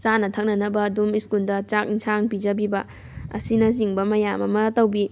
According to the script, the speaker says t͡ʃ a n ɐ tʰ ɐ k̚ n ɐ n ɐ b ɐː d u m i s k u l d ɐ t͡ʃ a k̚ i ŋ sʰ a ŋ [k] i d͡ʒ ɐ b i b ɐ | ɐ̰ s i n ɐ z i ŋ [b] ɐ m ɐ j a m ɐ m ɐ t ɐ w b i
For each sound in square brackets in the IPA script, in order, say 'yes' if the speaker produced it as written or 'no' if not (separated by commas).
no, yes